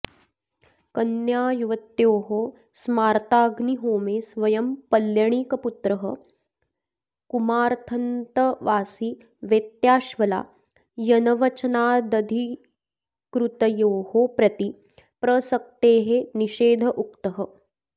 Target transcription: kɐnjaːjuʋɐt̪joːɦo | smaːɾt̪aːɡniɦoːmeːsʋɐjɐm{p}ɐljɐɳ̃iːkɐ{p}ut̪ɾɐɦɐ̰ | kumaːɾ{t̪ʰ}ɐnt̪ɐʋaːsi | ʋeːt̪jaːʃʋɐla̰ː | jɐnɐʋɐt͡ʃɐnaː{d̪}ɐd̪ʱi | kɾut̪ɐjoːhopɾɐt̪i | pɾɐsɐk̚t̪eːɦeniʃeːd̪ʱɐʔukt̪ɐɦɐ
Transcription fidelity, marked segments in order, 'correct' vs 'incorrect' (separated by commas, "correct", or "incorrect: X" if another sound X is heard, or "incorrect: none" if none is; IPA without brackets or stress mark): correct, correct, correct, correct